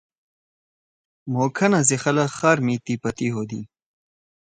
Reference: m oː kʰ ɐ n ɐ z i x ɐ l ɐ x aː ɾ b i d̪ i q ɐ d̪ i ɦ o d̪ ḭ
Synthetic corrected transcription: m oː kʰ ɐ n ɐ z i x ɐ l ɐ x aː ɾ m i t̪ i p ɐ t̪ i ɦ o d̪ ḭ